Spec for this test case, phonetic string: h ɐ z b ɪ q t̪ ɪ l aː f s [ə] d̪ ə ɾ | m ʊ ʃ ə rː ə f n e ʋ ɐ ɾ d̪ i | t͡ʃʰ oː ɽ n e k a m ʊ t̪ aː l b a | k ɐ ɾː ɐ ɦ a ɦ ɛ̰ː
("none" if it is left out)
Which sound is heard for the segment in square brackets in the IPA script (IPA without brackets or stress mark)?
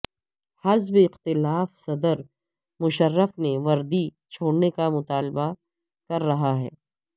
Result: ɐ